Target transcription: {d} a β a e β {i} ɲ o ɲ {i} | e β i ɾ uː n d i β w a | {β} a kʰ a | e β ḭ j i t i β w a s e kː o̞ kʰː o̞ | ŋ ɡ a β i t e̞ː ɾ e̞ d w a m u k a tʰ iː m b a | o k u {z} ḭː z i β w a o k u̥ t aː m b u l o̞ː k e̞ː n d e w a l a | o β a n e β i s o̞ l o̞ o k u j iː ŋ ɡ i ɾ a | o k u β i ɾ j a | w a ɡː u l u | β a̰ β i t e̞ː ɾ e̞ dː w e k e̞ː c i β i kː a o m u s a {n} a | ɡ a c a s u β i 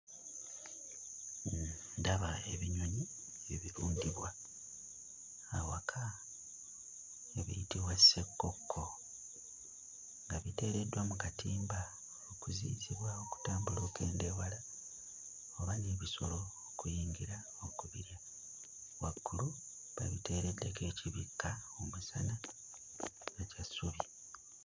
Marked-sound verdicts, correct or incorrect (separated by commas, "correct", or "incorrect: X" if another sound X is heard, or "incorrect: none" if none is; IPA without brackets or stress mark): correct, correct, correct, incorrect: w, correct, correct